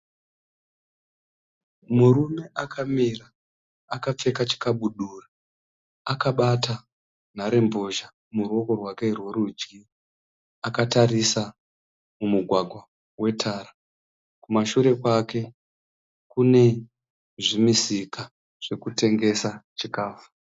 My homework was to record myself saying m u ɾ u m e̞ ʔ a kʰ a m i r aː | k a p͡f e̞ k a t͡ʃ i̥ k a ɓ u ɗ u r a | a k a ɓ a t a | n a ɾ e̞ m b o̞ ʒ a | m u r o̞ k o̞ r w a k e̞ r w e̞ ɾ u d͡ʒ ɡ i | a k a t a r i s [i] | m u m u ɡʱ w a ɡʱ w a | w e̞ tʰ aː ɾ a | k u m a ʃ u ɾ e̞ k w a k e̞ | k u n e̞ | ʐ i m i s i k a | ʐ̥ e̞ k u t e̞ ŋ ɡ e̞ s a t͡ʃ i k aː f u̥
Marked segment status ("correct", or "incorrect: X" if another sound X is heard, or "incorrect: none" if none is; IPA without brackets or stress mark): incorrect: a